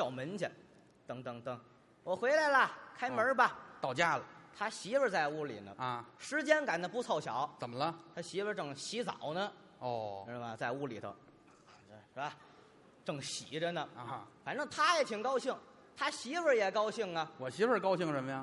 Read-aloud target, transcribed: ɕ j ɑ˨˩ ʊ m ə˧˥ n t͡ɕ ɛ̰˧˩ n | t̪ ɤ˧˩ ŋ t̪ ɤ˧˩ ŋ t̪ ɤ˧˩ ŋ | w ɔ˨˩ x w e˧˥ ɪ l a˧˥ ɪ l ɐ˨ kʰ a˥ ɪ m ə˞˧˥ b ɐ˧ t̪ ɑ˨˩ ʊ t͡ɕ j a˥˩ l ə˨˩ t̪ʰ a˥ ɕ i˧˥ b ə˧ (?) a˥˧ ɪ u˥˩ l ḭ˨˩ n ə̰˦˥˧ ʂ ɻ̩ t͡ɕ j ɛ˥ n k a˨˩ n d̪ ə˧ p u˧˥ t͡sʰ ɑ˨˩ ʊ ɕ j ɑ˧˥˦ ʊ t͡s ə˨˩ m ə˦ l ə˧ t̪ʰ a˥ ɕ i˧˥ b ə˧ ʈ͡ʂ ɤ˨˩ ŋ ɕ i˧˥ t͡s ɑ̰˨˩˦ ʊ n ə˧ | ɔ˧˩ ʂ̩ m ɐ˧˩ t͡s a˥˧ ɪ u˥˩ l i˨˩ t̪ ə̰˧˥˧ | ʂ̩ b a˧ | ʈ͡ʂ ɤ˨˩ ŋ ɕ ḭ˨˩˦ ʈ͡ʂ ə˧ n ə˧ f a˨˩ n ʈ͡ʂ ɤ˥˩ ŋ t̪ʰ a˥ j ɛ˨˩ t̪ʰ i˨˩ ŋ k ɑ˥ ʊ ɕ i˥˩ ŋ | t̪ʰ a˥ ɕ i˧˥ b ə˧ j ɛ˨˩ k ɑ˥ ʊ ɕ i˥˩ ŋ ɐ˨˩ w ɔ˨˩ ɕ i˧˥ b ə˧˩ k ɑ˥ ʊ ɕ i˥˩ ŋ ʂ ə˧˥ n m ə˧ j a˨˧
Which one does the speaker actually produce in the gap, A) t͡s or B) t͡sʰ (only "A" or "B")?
A